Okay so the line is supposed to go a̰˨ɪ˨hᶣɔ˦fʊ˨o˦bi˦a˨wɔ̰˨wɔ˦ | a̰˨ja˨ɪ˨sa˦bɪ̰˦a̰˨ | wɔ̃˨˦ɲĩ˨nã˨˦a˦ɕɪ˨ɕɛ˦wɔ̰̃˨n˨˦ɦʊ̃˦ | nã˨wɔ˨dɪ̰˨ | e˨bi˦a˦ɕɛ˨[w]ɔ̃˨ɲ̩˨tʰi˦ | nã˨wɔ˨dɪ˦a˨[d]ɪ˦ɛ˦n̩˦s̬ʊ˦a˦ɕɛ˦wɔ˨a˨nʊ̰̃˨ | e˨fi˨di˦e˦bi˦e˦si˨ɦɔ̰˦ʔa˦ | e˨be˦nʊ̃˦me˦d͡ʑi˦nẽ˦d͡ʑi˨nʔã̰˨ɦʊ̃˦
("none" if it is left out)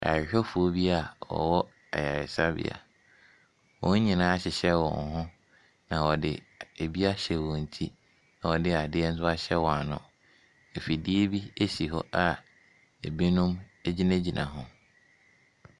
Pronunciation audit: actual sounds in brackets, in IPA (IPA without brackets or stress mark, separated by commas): w, d